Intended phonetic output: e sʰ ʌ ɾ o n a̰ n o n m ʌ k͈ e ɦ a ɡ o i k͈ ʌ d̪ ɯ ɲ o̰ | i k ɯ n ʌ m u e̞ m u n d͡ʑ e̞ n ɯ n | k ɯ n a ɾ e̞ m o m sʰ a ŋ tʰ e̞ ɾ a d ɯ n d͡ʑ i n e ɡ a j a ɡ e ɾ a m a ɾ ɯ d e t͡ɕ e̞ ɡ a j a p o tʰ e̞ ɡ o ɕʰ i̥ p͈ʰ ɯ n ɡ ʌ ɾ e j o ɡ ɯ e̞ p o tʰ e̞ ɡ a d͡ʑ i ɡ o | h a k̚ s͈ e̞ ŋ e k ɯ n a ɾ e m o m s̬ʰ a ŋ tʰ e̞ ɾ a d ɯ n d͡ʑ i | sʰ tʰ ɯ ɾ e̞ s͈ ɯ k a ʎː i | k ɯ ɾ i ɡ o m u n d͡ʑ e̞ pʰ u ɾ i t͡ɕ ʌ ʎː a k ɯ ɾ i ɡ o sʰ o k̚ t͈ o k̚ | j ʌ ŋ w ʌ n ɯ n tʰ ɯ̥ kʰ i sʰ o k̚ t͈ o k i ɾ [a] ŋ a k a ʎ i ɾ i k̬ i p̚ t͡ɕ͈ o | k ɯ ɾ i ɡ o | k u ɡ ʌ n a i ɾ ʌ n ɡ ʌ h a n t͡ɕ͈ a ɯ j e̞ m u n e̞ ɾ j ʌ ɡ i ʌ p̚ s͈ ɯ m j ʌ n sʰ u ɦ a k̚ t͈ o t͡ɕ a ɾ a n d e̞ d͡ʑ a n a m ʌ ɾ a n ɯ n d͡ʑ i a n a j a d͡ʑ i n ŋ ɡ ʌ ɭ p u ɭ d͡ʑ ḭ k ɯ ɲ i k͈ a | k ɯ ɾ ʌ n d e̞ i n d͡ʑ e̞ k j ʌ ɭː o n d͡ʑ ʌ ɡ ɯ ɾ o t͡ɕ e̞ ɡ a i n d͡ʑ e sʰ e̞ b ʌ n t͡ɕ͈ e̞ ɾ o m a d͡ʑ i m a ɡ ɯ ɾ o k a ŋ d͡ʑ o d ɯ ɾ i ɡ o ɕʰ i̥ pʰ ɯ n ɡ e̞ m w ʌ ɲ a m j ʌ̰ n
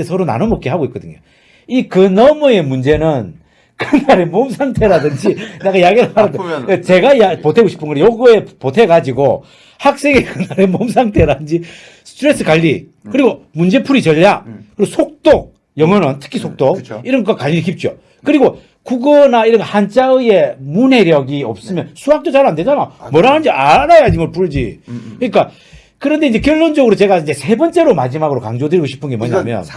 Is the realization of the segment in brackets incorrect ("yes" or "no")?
yes